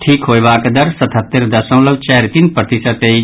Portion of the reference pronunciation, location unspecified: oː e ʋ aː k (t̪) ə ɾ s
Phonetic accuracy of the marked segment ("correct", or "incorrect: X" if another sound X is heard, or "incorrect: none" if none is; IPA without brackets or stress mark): incorrect: d̪